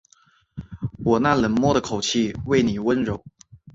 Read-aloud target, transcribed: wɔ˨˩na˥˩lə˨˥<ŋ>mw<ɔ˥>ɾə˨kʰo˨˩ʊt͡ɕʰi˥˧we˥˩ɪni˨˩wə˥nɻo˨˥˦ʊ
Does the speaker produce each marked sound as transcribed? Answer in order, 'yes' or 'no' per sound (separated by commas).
no, yes